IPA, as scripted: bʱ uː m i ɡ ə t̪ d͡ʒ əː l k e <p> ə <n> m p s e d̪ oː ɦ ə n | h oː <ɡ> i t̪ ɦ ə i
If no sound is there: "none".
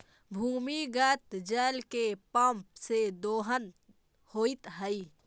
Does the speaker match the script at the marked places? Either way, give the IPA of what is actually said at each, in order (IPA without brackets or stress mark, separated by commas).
p, none, none